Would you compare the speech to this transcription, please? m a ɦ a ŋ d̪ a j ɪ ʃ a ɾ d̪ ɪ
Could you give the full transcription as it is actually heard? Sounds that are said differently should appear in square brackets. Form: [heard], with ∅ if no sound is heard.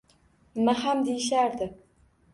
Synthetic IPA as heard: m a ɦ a [m] d̪ [e] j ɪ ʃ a ɾ d̪ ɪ